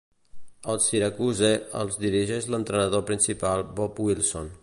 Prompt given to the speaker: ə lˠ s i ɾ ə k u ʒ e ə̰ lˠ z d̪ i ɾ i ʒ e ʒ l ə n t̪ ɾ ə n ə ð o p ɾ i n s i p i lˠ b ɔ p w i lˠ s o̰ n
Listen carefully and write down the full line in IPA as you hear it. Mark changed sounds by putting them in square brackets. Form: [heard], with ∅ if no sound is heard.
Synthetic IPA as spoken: ə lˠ s i ɾ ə k u [z] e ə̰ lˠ z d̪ i ɾ i ʒ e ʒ l ə n t̪ ɾ ə n ə ð o p ɾ i n s i p [a] lˠ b ɔ p w i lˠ s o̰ n